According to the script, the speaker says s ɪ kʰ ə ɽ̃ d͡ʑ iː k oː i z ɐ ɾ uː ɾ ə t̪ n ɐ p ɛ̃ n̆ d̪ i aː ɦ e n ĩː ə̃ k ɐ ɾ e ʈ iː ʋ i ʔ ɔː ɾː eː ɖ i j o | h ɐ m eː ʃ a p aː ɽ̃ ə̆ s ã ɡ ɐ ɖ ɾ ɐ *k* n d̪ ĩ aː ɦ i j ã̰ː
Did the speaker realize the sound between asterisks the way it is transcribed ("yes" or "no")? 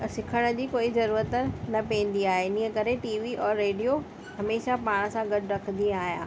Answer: no